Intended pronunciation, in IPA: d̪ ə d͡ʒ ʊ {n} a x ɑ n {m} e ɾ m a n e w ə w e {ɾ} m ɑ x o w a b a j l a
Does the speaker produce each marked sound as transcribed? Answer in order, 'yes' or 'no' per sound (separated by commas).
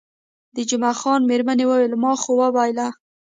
no, yes, no